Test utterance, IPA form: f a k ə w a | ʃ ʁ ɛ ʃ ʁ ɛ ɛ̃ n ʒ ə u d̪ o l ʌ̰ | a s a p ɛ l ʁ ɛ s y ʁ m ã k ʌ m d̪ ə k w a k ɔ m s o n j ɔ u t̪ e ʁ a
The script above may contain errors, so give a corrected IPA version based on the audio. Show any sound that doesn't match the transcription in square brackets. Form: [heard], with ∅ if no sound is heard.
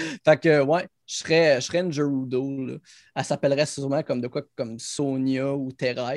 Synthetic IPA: f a k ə w [ɛ] | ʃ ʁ ɛ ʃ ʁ ɛ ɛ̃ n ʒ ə u d̪ o l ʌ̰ | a s a p ɛ l ʁ ɛ s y ʁ m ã k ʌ m d̪ ə k w a k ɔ m s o n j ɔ u t̪ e ʁ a